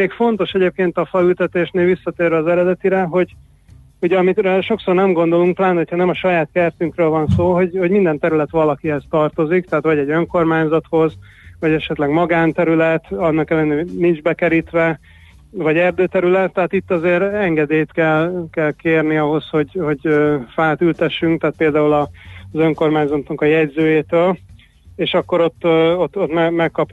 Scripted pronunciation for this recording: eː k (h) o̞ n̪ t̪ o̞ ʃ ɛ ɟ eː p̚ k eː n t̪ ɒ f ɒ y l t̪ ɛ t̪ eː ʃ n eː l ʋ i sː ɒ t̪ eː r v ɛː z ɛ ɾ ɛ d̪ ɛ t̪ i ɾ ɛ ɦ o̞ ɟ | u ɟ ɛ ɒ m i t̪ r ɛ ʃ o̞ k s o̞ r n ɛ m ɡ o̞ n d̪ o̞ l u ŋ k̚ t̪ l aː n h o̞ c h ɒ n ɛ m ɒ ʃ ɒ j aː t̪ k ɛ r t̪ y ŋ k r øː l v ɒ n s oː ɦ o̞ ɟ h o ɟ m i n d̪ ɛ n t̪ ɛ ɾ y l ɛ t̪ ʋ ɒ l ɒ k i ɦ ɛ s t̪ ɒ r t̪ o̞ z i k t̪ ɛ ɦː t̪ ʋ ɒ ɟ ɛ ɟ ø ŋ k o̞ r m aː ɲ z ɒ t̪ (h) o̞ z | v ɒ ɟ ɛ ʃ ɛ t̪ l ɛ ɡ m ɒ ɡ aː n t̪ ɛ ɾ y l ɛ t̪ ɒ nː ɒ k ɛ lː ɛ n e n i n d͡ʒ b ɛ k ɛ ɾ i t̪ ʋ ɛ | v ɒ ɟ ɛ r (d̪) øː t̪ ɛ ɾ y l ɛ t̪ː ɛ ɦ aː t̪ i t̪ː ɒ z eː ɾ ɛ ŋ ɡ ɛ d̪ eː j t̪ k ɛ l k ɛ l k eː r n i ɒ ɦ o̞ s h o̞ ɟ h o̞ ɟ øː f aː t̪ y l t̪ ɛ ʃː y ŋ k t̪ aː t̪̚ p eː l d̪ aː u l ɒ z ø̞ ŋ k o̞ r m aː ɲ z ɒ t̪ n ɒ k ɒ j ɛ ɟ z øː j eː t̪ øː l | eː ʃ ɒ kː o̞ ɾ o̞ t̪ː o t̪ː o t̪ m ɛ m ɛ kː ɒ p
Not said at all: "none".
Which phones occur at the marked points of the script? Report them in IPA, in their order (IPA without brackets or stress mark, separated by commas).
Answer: f, h, d̪